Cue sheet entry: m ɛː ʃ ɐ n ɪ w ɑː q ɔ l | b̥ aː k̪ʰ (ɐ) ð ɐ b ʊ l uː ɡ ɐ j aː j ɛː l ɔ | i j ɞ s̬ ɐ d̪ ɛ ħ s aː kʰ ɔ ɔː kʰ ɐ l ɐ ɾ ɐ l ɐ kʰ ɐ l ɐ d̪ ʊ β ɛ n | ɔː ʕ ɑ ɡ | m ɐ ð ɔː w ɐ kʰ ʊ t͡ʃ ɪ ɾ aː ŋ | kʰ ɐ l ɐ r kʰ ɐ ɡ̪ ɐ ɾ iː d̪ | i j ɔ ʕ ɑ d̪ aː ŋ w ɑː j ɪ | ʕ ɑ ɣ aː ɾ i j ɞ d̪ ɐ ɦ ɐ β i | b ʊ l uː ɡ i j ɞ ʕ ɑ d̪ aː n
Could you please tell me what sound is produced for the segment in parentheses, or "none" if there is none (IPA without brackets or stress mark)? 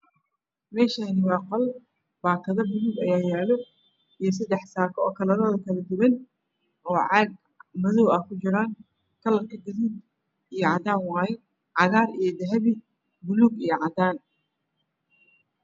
ɐ